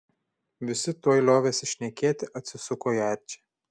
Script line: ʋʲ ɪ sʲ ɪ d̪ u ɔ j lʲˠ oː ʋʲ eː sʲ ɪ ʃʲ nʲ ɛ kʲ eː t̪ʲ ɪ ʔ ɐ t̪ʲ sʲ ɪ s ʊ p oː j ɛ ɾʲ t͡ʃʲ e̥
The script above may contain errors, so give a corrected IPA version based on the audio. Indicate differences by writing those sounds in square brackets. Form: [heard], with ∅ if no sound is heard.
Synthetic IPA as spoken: ʋʲ ɪ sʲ ɪ [t̪] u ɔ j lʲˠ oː ʋʲ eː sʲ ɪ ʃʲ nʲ ɛ kʲ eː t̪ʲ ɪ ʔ ɐ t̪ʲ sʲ ɪ s ʊ [k] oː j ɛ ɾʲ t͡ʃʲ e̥